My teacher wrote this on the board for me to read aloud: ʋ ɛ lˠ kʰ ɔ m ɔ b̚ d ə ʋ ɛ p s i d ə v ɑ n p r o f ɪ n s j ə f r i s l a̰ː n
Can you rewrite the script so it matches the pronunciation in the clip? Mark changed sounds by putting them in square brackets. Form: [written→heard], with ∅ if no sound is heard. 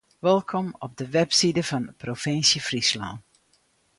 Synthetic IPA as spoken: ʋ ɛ lˠ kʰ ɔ m ɔ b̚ d ə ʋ ɛ p s i d ə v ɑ n p r o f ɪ n s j ə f r i s l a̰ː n